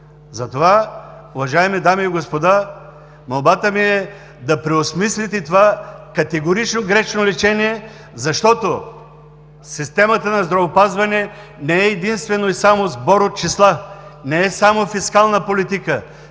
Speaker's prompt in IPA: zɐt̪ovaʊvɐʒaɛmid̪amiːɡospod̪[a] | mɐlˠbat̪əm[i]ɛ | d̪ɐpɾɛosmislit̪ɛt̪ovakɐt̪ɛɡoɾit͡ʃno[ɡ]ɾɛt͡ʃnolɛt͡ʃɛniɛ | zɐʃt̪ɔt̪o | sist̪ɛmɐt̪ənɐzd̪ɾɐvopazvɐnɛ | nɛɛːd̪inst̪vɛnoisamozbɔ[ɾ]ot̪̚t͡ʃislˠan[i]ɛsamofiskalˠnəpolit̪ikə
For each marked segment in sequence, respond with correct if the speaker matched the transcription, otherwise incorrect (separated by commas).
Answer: correct, correct, correct, correct, incorrect